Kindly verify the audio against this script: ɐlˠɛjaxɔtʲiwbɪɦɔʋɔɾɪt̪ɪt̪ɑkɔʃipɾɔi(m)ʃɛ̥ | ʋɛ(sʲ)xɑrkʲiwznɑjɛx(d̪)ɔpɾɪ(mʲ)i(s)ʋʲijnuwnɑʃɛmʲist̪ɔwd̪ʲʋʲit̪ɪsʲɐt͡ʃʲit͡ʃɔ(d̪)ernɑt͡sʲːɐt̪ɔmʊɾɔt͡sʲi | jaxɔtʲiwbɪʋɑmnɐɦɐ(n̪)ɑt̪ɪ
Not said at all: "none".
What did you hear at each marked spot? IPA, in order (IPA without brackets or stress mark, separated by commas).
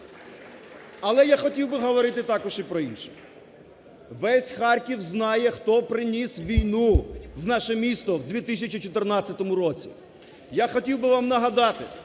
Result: n, sʲ, t̪, nʲ, s, t̪, d̪